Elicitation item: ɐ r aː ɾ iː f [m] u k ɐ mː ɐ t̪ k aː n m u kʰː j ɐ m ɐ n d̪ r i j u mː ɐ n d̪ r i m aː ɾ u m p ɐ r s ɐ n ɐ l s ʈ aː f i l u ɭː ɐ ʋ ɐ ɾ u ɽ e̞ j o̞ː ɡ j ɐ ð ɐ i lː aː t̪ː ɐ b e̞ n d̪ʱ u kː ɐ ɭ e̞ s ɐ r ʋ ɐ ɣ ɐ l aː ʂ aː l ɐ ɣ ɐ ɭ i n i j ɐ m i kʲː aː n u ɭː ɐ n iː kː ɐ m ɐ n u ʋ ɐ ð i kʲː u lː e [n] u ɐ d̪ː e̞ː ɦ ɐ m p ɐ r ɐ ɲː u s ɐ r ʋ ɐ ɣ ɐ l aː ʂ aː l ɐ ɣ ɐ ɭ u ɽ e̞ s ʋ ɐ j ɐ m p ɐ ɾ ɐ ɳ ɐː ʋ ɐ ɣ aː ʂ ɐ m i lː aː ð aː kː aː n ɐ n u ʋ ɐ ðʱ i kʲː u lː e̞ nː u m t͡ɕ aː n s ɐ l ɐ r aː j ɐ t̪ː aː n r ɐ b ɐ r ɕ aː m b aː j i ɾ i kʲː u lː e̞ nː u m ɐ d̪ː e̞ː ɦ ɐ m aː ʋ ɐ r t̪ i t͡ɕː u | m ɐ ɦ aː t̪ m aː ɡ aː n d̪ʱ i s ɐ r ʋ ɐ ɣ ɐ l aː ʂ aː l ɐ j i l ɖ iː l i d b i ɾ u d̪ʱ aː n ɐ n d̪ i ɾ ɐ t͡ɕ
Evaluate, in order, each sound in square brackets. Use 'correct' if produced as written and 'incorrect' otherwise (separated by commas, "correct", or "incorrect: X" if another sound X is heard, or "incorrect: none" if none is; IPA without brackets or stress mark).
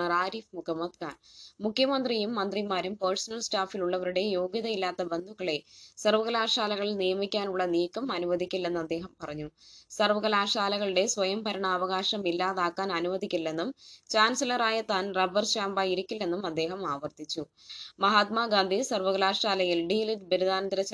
correct, incorrect: nː